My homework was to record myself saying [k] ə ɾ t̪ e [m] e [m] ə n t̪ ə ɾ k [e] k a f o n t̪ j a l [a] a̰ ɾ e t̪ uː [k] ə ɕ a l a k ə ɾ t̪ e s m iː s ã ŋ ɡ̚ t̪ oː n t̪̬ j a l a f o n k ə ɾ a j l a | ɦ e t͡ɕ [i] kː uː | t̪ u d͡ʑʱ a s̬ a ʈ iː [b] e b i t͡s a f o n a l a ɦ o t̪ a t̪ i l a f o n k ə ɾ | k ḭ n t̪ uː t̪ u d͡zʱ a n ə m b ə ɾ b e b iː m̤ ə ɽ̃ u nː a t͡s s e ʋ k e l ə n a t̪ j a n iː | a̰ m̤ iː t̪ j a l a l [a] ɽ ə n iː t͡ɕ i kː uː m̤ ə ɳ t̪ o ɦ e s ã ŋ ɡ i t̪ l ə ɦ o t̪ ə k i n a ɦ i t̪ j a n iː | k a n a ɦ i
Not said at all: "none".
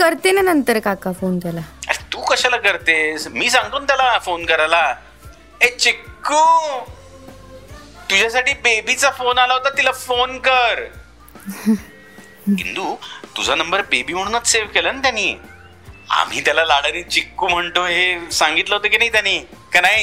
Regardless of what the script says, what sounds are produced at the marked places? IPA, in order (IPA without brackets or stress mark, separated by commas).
k, n, n, a, a, k, i, b, a